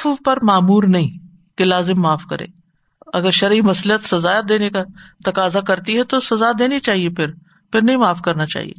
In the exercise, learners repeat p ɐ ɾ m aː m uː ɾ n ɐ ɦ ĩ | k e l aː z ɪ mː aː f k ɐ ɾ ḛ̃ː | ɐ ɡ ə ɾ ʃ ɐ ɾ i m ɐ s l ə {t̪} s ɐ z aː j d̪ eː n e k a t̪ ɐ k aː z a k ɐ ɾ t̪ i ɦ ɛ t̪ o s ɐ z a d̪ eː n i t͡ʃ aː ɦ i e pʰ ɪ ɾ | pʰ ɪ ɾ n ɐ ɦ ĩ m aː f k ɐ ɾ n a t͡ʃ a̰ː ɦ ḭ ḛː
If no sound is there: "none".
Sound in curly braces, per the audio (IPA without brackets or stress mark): t̪